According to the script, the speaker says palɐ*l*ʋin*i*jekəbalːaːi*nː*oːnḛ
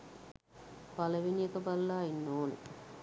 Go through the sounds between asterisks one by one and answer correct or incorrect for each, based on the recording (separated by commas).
incorrect, correct, correct